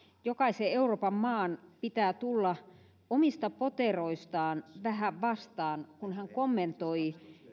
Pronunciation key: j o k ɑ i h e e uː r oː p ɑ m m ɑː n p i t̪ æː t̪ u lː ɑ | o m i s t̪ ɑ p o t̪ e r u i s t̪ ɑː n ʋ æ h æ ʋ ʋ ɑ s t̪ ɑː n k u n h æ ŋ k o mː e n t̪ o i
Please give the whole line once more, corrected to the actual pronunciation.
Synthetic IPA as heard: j o k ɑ i s e e u r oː p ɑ m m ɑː n p i t̪ æː t̪ u lː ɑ | o m i s t̪ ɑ p o t̪ e r o i s t̪ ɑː n ʋ æ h æ ʋ ʋ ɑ s t̪ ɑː n k u n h æ ŋ k o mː e n t̪ o i